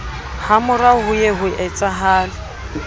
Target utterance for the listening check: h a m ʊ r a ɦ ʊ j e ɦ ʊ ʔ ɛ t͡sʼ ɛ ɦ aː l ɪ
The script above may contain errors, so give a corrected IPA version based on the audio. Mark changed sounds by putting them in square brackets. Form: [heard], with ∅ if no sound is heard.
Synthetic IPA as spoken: h a m ʊ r a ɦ ʊ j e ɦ ʊ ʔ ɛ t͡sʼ [a] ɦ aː l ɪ